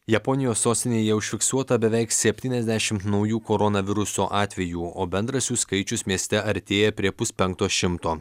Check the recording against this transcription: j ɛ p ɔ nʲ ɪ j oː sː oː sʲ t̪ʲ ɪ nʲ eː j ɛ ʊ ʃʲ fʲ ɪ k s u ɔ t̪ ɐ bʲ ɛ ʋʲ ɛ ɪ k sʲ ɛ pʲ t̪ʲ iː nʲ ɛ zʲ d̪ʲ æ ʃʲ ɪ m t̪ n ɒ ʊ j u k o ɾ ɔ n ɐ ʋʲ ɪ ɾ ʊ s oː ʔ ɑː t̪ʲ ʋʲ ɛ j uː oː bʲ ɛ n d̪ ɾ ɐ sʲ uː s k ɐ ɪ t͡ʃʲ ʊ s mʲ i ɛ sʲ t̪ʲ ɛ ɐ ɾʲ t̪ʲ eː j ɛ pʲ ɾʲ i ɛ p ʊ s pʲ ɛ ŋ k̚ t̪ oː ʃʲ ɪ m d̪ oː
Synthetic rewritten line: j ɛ p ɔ nʲ ɪ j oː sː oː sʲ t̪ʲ ɪ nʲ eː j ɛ ʊ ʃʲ fʲ ɪ k s u ɔ t̪ ɐ bʲ ɛ ʋʲ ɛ ɪ k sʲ ɛ pʲ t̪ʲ iː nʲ ɛ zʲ d̪ʲ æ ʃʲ ɪ m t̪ n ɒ ʊ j uː k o ɾ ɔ n ɐ ʋʲ ɪ ɾ ʊ s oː ʔ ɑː t̪ʲ ʋʲ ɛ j uː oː bʲ ɛ n d̪ ɾ ɐ sʲ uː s k ɐ ɪ t͡ʃʲ ʊ s mʲ i ɛ sʲ t̪ʲ ɛ ɐ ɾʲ t̪ʲ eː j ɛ pʲ ɾʲ i ɛ p ʊ s pʲ ɛ ŋ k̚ t̪ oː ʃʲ ɪ m t̪ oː